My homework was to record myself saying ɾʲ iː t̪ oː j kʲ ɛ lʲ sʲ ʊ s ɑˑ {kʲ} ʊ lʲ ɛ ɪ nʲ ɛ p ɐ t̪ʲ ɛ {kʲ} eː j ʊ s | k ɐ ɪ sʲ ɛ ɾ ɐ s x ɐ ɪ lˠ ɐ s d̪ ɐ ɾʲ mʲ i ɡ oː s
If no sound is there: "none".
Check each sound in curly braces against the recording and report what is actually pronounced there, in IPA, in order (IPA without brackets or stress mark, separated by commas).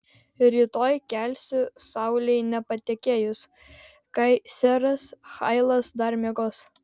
none, kʲ